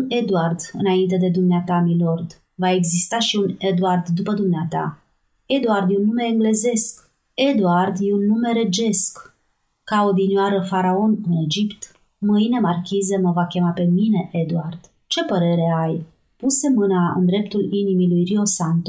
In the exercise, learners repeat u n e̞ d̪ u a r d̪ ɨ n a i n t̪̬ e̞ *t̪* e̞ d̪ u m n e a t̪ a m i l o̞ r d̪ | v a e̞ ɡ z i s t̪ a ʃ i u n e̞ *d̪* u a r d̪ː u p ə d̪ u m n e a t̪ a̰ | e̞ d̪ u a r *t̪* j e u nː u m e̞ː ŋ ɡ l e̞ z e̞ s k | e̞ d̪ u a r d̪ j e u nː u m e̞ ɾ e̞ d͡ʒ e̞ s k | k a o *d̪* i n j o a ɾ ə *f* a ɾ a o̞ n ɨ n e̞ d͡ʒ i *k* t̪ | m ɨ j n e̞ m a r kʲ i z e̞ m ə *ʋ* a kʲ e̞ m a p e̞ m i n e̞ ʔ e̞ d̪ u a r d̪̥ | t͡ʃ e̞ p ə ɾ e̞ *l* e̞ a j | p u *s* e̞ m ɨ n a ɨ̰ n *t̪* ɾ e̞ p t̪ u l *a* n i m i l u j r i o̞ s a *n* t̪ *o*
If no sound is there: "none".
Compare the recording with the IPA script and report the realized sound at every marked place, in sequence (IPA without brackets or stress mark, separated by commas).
d̪, d̪, d̪, d̪, f, p, v, ɾ, s, d̪, i, n, o